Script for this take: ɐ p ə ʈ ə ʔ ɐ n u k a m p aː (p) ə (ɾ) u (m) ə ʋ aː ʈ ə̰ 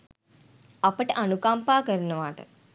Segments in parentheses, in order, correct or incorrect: incorrect: k, correct, incorrect: n

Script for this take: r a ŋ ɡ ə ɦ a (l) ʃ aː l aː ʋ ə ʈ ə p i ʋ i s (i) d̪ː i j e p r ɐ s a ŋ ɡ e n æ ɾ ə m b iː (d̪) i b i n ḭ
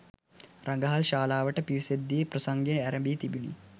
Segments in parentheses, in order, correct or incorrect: correct, incorrect: e, incorrect: t̪

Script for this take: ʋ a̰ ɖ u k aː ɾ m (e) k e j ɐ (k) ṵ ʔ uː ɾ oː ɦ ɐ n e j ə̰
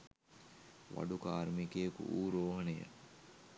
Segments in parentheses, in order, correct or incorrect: incorrect: i, correct

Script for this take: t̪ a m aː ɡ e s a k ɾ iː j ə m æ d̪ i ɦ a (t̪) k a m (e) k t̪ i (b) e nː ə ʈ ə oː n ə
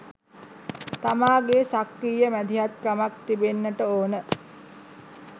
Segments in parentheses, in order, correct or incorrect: correct, incorrect: a, correct

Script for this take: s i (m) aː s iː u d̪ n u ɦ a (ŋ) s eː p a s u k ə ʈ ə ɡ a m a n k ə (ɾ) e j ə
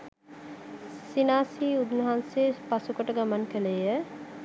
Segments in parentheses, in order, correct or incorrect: incorrect: n, incorrect: n, incorrect: l

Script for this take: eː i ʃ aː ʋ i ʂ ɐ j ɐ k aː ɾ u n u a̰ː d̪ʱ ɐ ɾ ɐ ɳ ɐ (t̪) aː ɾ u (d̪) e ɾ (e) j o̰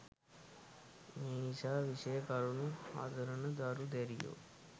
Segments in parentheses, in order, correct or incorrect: incorrect: d̪, correct, incorrect: i

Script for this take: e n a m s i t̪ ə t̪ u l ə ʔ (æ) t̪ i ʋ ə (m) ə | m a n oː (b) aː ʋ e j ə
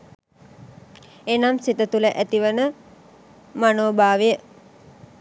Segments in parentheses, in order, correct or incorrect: correct, incorrect: n, correct

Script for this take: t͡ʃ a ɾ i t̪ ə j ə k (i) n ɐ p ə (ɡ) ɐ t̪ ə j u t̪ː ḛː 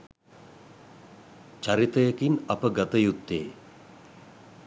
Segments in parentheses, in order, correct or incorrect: correct, correct

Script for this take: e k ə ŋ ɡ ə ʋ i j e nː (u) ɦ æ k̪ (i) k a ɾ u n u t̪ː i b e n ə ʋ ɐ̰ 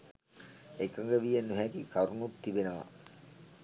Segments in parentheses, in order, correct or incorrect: correct, correct

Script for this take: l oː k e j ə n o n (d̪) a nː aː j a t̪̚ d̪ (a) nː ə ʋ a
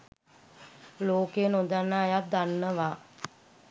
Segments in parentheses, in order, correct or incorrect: correct, correct

